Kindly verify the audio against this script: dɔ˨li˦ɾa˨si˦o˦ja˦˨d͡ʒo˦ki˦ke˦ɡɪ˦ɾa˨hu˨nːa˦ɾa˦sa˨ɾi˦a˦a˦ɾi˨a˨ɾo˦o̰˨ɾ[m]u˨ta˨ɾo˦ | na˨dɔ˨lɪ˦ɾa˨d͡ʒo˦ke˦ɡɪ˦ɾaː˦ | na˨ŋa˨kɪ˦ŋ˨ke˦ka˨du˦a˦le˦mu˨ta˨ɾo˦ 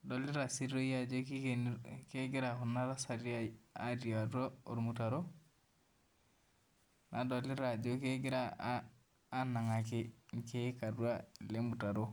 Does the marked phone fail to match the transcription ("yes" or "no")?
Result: no